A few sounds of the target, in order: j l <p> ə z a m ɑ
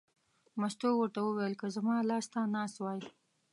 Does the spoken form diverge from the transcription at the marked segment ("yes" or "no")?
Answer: yes